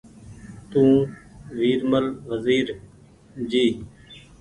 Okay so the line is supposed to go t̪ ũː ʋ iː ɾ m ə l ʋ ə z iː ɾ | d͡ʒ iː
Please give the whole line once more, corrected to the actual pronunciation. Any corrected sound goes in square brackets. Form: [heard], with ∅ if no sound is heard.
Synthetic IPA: t̪ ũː ʋ iː ɾ m ə l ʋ ə z iː ɾ | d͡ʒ iː